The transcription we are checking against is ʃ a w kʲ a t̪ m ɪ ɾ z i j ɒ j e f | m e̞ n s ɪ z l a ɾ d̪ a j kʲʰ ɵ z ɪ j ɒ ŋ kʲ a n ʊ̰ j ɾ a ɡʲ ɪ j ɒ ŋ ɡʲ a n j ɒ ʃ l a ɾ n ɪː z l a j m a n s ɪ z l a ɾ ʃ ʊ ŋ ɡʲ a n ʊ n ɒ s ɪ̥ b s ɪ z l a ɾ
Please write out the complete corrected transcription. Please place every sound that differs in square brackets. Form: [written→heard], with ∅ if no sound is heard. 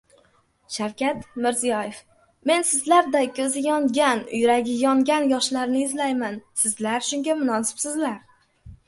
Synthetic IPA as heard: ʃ a w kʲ a t̪ m ɪ ɾ z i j ɒ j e f | m e̞ n s ɪ z l a ɾ d̪ a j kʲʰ ɵ z ɪ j ɒ ŋ [kʲ→ɡʲ] a n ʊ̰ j ɾ a ɡʲ ɪ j ɒ ŋ ɡʲ a n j ɒ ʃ l a ɾ n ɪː z l a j m a n s ɪ z l a ɾ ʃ ʊ ŋ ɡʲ a [n→m] ʊ n ɒ s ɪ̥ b s ɪ z l a ɾ